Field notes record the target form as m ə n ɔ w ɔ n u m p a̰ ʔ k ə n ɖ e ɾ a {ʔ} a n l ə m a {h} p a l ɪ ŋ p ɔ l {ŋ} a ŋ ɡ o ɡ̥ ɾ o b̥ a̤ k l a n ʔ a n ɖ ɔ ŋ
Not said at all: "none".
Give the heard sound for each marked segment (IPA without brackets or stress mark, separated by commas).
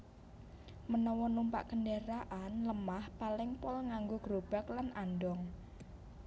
ʔ, h, ŋ